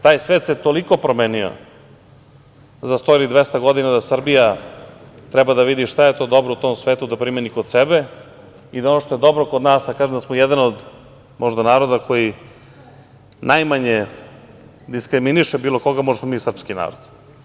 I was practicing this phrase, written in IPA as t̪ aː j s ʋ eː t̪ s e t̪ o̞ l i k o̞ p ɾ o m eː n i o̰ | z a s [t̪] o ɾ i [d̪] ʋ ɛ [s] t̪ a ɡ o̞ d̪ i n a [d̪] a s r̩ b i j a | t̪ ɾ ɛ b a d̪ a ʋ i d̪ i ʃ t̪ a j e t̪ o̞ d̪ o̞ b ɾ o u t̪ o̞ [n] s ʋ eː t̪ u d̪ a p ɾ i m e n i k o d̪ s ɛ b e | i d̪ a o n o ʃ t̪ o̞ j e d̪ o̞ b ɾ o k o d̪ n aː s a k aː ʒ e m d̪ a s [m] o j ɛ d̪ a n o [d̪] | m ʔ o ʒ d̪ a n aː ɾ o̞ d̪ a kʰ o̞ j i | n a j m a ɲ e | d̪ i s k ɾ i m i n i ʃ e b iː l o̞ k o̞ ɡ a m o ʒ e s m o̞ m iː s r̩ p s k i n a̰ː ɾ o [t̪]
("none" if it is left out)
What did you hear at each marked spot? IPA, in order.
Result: t̪, d̪, s, d̪, m, m, d̪, d̪

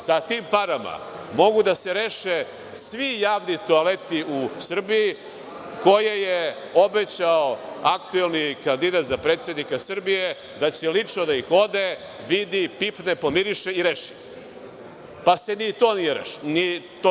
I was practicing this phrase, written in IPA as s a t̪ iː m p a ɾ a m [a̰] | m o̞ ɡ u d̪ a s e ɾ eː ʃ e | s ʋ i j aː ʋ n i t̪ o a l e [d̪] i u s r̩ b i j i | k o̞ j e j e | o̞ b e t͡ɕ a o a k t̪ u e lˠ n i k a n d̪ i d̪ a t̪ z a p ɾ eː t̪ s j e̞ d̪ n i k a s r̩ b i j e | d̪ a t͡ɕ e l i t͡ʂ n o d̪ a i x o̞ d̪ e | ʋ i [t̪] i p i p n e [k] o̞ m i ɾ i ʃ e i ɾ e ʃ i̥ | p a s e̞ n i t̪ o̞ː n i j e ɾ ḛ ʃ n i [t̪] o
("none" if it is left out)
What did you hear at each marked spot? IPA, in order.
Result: a̰, t̪, d̪, p, t̪

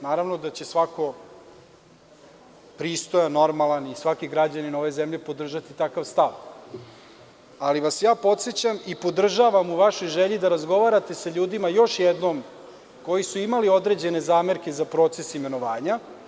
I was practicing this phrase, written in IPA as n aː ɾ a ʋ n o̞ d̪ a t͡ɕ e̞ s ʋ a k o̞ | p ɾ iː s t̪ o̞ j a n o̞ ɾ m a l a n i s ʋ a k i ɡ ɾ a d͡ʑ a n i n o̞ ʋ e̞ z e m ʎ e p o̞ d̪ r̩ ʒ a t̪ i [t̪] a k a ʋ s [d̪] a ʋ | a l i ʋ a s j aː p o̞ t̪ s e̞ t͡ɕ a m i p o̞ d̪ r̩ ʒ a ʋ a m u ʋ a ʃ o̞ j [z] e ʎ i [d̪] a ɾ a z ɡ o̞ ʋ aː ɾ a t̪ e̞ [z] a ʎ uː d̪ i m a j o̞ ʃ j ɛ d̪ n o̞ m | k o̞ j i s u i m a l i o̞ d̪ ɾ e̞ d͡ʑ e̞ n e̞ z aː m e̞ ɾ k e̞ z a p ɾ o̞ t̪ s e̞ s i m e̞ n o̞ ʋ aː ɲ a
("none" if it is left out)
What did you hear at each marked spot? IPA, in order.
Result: t̪, t̪, ʒ, d̪, s

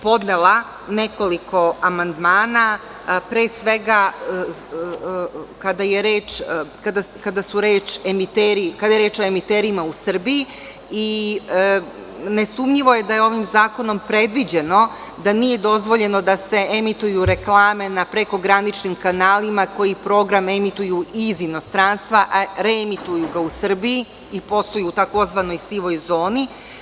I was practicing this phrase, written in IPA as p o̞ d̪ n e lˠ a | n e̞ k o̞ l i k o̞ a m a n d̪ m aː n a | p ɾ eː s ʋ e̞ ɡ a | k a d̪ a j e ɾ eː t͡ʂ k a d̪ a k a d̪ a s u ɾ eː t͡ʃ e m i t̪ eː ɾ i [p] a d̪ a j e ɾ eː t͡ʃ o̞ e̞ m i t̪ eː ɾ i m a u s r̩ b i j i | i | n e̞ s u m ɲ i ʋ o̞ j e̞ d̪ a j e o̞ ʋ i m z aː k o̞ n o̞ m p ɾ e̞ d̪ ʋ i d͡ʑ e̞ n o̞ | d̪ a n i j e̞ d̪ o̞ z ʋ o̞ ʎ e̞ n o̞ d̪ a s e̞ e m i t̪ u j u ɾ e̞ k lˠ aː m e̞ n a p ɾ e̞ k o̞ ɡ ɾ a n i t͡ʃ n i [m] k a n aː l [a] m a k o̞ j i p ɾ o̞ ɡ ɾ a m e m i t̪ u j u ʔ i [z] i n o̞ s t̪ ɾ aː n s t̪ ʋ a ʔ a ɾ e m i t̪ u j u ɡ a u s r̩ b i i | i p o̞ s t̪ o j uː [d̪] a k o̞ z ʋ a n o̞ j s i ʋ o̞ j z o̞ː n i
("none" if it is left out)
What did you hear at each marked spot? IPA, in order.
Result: k, m, i, z, t̪

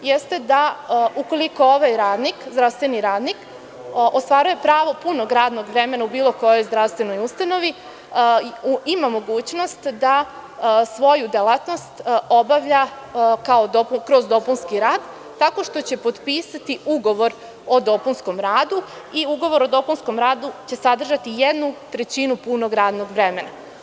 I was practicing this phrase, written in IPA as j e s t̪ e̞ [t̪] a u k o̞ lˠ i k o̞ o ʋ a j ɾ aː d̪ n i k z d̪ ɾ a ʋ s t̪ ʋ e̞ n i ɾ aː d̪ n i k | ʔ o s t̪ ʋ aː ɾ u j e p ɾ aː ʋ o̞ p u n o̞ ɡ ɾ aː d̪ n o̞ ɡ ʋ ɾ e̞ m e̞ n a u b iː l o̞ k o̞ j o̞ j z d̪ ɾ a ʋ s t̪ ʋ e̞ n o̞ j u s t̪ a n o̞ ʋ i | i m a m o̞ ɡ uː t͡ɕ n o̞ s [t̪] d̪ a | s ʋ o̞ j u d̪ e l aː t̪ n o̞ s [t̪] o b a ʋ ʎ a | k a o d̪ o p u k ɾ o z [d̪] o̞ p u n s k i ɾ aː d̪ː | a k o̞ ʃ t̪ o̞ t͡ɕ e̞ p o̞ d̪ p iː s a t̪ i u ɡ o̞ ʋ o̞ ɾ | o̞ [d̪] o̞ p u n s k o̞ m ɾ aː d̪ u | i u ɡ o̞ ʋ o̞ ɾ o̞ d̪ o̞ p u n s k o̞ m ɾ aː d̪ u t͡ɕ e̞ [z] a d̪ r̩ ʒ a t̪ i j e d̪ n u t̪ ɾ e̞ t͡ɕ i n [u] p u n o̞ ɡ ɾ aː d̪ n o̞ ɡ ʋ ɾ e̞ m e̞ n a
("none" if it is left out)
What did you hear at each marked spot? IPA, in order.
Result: d̪, t̪, t̪, d̪, d̪, s, u

